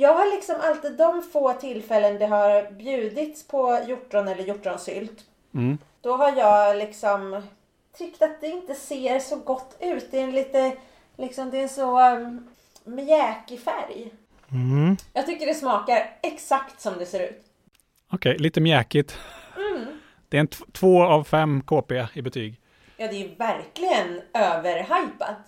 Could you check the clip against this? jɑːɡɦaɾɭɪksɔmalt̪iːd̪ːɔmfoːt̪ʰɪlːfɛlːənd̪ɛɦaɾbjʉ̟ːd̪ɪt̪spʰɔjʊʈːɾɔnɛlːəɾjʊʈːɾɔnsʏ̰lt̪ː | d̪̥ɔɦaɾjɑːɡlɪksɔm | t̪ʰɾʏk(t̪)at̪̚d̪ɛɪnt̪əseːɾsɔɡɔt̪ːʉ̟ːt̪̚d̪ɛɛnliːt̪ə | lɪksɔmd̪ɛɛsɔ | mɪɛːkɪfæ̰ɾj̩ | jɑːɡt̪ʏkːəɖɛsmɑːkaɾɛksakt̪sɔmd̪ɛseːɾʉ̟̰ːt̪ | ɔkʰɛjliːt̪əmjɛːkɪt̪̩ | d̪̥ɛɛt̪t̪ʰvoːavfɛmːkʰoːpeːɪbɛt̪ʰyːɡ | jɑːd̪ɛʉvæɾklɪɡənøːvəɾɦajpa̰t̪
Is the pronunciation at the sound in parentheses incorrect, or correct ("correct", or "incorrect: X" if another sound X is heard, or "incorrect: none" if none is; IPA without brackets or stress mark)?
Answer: correct